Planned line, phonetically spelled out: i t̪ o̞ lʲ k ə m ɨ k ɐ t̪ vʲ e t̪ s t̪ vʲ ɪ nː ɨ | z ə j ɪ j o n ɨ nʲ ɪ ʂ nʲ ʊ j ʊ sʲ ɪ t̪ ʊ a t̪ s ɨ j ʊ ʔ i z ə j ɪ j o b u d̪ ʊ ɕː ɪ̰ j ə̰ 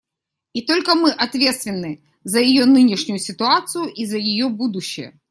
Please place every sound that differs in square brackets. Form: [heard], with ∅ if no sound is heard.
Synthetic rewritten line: i t̪ o̞ lʲ k ə m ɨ [ʔ] ɐ t̪ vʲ e t̪ s t̪ vʲ ɪ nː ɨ | z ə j ɪ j o n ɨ nʲ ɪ ʂ nʲ ʊ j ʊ sʲ ɪ t̪ ʊ a t̪ s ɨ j ʊ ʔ i z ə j ɪ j o b u d̪ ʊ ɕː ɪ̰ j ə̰